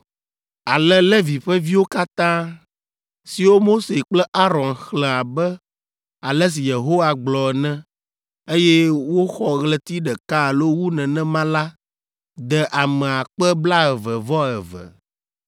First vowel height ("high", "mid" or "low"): low